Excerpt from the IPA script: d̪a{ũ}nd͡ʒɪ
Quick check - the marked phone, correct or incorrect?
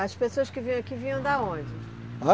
incorrect